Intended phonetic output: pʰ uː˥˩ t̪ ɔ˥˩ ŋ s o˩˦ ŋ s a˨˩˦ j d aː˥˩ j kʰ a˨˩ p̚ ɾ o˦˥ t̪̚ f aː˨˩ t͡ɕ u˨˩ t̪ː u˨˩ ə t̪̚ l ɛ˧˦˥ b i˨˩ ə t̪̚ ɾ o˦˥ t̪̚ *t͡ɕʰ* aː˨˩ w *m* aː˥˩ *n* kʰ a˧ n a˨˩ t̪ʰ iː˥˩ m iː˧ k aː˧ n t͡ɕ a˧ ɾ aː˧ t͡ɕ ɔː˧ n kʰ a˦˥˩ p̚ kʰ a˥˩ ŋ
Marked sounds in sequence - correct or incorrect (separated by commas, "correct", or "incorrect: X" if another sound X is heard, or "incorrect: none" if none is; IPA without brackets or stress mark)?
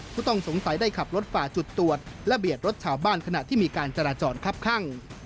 correct, incorrect: b, correct